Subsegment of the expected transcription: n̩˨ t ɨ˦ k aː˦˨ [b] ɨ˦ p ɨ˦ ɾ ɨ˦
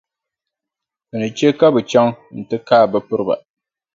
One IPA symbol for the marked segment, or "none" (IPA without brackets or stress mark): b